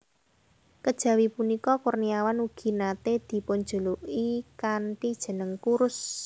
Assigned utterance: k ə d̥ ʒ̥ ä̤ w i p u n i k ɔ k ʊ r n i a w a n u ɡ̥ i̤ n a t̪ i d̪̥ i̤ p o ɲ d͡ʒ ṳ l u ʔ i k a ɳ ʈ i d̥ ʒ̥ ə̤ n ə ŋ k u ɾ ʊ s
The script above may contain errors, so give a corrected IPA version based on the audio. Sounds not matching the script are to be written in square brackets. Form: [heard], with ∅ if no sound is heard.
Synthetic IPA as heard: k ə d̥ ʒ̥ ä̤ w i p u n i k ɔ k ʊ r n i a w a n u ɡ̥ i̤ n a t̪ [e] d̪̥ i̤ p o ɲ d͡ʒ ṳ l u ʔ i k a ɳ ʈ i d̥ ʒ̥ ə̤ n ə ŋ k u ɾ ʊ s